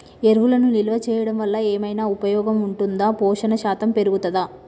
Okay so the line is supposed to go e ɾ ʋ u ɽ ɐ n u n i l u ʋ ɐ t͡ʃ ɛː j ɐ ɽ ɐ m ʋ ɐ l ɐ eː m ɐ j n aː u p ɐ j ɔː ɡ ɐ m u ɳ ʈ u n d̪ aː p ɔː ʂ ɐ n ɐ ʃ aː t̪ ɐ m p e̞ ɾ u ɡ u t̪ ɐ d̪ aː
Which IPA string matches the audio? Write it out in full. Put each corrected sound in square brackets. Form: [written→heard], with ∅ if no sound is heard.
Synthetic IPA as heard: e ɾ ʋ u [ɽ→l] ɐ n u n i l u ʋ ɐ t͡ʃ ɛː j ɐ ɽ ɐ m ʋ ɐ [l→lː] ɐ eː m ɐ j n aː u p ɐ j ɔː ɡ ɐ m u ɳ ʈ u n d̪ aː p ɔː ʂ ɐ n ɐ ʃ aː t̪ ɐ m p e̞ ɾ u ɡ u t̪ ɐ d̪ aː